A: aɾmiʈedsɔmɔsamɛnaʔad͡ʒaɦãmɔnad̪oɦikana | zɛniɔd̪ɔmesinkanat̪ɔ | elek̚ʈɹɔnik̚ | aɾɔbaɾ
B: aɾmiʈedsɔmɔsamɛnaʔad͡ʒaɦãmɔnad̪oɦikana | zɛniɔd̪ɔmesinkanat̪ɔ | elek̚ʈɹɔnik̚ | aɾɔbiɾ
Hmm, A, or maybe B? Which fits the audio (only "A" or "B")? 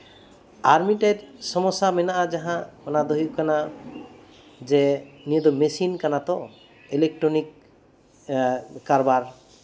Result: A